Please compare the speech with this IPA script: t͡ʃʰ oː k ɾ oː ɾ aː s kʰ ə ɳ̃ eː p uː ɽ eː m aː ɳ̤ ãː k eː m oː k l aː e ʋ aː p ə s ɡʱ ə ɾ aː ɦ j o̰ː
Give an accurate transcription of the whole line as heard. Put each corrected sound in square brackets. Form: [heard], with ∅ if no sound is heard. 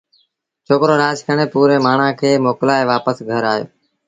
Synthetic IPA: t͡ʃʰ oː k ɾ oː ɾ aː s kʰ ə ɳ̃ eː p uː [ɾ] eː m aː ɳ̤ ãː [kʰ] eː m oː k l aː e ʋ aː p ə s ɡʱ ə ɾ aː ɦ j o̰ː

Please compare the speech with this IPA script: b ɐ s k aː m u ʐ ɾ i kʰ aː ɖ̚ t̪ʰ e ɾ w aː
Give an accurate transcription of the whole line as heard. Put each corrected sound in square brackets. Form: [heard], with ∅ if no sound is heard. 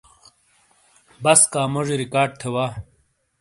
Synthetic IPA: b ɐ s k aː m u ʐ ɾ i [k] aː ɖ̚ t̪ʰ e [∅] w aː

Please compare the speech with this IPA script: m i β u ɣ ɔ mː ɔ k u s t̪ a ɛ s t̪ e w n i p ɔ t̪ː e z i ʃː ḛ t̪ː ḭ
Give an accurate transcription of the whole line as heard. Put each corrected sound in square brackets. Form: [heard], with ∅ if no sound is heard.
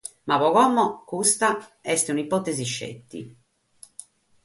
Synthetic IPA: m [a] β [ɔ] ɣ ɔ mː ɔ k u s t̪ a ɛ s t̪ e [u] n i p ɔ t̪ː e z i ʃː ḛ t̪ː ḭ

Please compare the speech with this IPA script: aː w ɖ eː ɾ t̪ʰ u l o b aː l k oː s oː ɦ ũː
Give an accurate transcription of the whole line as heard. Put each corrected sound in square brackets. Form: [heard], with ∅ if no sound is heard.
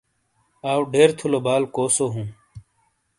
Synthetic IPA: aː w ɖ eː ɾ t̪ʰ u l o b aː l k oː s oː ɦ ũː

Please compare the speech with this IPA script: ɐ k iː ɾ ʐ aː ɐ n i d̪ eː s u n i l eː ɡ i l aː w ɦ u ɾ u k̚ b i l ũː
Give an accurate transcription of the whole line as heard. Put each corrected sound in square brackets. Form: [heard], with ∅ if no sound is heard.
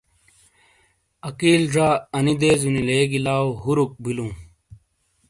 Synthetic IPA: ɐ k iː [l] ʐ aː ɐ n i d̪ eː [z] u n i l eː ɡ i l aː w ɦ u ɾ u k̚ b i l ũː

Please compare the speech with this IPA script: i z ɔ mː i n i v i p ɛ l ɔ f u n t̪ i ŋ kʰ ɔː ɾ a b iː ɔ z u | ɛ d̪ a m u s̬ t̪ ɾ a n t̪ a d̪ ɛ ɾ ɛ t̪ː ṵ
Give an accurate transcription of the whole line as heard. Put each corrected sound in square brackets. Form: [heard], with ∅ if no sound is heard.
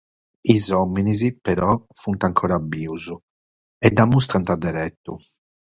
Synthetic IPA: i z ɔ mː i n i [z] i p ɛ [ɾ] ɔ f u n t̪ [a] ŋ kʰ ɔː ɾ a b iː [u] z u | ɛ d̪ a m u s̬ t̪ ɾ a n t̪ a d̪ ɛ ɾ ɛ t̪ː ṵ

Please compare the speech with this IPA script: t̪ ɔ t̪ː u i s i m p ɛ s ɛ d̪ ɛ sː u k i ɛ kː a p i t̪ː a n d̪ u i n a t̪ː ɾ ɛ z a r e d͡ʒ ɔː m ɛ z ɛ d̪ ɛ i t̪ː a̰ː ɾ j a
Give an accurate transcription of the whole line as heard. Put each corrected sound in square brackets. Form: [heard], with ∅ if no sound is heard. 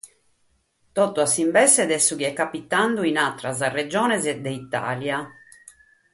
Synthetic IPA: t̪ ɔ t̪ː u [a] s i m [b] ɛ s ɛ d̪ ɛ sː u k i ɛ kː a p i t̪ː a n d̪ u i n a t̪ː ɾ [a] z a r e d͡ʒ ɔː [n] ɛ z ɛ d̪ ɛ i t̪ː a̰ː [l] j a

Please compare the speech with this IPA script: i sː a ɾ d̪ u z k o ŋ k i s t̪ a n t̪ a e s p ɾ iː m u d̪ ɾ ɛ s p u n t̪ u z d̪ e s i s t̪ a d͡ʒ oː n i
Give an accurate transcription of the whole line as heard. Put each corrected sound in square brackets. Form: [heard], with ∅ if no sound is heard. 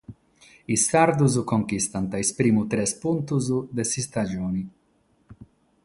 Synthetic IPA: i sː a ɾ d̪ u z k o ŋ k i s t̪ a n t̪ a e s p ɾ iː m u [t̪] ɾ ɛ s p u n t̪ u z d̪ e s i s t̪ a d͡ʒ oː n i

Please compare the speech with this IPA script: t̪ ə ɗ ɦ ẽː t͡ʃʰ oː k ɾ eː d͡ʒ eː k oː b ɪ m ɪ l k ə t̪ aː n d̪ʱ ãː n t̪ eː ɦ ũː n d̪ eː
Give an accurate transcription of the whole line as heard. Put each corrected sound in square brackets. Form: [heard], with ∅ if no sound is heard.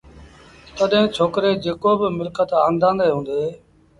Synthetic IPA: t̪ ə ɗ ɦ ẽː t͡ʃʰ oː k ɾ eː d͡ʒ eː k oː b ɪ m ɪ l k ə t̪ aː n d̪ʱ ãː n [d̪] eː ɦ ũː n d̪ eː

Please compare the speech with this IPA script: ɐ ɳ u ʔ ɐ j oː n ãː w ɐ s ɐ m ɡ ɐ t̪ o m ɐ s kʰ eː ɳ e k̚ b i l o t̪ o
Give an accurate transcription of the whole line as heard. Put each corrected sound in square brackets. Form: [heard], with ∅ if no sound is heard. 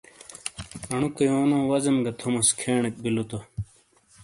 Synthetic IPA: ɐ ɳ u [k] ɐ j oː n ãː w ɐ [z] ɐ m ɡ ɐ [t̪ʰ] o m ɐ s kʰ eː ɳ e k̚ b i l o t̪ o

